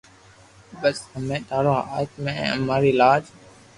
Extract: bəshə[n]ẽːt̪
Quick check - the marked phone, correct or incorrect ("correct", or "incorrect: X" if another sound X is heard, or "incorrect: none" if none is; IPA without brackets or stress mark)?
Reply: incorrect: m